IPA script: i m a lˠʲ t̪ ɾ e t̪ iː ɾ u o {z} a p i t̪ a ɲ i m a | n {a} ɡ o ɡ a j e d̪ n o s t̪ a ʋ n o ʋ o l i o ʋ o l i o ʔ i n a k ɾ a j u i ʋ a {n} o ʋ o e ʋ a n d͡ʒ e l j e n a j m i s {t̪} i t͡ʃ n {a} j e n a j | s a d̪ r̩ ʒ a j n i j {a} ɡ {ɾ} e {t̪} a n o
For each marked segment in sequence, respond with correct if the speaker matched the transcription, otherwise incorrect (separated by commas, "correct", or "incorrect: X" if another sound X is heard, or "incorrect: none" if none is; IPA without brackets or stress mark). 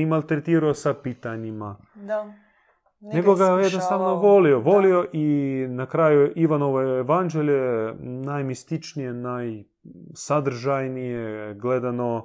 incorrect: s, incorrect: e, correct, correct, incorrect: i, incorrect: e, incorrect: l, incorrect: d̪